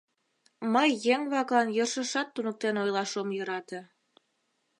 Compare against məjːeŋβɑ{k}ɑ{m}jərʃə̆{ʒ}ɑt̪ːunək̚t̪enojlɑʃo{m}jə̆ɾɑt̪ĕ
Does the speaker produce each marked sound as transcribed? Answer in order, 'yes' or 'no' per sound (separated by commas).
yes, no, no, yes